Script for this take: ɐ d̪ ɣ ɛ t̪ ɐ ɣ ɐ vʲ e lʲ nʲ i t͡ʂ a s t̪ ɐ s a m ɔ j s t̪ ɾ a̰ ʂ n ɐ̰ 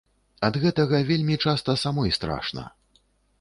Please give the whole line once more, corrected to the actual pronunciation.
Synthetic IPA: ɐ d̪ ɣ ɛ t̪ ɐ ɣ ɐ vʲ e lʲ mʲ i t͡ʂ a s t̪ ɐ s a m ɔ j s t̪ ɾ a̰ ʂ n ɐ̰